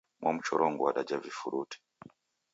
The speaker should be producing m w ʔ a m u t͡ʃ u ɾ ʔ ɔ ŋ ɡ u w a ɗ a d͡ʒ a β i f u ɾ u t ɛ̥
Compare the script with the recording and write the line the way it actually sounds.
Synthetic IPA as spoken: m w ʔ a m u t͡ʃ ɔ ɾ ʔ ɔ ŋ ɡ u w a ɗ a d͡ʒ a v i f u ɾ u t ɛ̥